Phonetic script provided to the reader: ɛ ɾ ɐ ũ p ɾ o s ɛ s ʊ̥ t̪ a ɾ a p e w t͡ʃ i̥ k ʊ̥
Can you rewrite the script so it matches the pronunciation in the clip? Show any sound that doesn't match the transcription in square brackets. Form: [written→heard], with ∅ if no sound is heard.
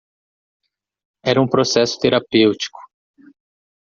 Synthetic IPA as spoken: ɛ ɾ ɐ ũ p ɾ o s ɛ s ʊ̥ t̪ [a→e] ɾ a p e w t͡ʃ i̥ k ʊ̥